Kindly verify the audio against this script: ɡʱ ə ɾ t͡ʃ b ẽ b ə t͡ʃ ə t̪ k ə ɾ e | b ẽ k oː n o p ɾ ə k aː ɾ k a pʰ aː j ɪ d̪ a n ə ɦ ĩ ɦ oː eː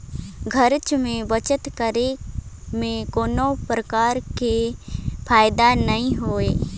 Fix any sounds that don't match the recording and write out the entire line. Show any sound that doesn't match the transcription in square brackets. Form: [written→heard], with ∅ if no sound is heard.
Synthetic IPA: ɡʱ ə ɾ t͡ʃ [b→m] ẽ b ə t͡ʃ ə t̪ k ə ɾ e | [b→m] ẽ k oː n o p ɾ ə k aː ɾ k [a→e] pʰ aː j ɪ d̪ a n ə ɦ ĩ ɦ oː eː